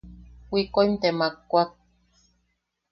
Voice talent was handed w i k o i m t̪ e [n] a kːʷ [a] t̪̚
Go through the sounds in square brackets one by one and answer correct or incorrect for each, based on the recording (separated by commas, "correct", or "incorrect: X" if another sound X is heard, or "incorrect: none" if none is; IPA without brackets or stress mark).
incorrect: m, correct